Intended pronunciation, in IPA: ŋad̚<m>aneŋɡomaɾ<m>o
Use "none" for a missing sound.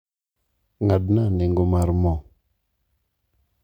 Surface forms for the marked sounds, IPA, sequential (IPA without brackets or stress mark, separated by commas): n, m